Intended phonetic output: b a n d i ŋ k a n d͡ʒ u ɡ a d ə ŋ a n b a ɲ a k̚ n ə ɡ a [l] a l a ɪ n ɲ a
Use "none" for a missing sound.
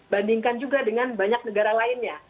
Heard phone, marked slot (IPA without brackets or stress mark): ɾ